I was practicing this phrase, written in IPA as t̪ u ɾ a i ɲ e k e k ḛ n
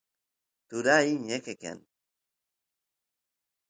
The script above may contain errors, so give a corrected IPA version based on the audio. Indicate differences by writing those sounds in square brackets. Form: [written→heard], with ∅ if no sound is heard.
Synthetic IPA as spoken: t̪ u ɾ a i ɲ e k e k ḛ n